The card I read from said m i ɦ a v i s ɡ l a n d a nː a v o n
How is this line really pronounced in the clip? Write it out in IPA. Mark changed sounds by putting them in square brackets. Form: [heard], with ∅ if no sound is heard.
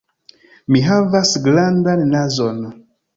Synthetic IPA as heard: m i ɦ a v [a] s ɡ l a n d a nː a [z] o n